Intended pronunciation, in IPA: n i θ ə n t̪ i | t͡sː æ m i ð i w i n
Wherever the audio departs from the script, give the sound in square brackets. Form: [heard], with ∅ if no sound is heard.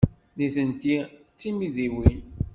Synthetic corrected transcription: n i θ ə n t̪ i | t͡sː [i] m i ð i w i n